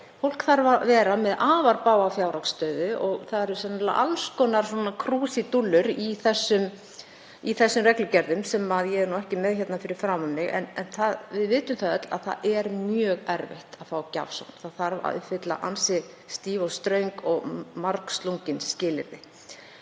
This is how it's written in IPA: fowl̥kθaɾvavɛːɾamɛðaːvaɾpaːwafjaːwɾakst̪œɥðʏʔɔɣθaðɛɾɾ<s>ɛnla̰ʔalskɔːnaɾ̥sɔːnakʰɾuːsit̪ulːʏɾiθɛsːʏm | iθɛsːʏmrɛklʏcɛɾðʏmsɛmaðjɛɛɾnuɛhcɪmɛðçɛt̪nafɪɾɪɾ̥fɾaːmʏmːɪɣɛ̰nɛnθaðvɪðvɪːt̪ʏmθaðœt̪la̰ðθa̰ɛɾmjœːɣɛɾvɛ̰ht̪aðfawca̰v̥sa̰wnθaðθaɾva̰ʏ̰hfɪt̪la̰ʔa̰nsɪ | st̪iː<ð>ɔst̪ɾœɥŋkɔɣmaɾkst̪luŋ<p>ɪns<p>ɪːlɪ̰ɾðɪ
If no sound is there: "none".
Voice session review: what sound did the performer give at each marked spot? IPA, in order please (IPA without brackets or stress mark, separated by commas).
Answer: s, v, c, c